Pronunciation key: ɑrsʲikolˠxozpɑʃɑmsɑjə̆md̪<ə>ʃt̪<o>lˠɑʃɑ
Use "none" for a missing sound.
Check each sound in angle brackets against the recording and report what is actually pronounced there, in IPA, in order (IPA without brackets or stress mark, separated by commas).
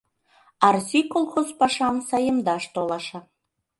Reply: ɑ, o